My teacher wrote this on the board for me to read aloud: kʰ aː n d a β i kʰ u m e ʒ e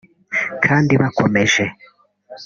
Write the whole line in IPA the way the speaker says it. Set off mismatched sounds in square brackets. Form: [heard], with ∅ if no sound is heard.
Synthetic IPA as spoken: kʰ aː n d [i] β [a] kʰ [o] m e ʒ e